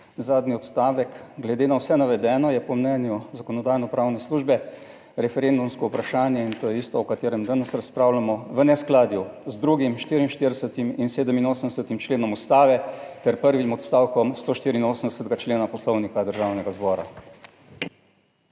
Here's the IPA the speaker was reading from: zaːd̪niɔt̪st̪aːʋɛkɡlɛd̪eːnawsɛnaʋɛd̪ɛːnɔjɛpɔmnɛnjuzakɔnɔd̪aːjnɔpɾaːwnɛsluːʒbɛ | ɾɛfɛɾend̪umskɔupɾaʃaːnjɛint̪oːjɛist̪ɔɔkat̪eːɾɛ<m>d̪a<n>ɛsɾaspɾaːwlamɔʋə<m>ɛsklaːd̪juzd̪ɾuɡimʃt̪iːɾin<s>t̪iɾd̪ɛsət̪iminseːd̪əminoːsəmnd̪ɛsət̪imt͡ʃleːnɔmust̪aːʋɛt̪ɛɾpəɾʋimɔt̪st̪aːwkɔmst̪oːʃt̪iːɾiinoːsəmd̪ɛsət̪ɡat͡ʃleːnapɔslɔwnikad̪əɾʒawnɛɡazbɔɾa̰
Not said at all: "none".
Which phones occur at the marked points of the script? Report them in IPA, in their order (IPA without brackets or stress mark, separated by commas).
m, n, n, ʃ